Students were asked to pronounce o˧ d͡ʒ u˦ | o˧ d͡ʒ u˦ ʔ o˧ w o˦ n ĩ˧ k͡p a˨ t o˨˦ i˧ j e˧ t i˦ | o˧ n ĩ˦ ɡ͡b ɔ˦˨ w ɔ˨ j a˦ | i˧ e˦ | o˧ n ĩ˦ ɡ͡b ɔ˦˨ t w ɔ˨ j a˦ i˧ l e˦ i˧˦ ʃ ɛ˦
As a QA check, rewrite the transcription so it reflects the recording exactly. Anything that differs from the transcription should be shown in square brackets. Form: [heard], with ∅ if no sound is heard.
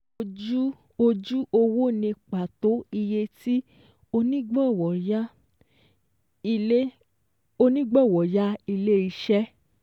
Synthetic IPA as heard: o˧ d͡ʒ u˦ | o˧ d͡ʒ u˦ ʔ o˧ w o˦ n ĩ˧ k͡p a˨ t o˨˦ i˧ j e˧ t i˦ | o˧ n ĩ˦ ɡ͡b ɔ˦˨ w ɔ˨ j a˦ | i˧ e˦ | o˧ n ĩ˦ ɡ͡b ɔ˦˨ [∅] w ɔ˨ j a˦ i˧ l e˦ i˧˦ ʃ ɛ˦